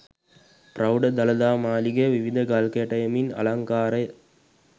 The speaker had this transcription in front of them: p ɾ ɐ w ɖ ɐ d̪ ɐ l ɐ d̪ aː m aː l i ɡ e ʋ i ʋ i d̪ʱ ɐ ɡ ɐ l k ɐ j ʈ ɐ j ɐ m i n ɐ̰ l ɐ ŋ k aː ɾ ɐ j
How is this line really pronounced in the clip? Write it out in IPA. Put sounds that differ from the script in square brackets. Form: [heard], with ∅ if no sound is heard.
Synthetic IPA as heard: p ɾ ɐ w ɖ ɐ d̪ ɐ l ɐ d̪ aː m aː l i ɡ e ʋ i ʋ i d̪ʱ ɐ ɡ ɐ l k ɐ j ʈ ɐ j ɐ m i n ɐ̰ l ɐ ŋ k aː ɾ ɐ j